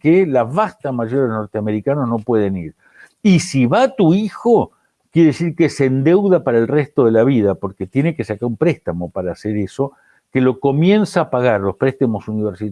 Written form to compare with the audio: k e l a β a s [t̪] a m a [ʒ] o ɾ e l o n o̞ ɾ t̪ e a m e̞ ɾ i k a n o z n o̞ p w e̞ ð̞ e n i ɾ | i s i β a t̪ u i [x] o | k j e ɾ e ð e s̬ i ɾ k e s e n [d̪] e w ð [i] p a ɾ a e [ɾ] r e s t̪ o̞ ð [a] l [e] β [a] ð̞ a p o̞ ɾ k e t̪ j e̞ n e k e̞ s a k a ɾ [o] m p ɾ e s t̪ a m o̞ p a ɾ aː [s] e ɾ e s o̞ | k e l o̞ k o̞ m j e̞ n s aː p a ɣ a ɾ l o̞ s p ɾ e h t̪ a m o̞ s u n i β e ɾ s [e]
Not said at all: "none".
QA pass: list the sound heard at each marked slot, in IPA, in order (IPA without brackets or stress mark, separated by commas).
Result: t̪, ʒ, x, d̪, a, l, e, a, i, u, s, i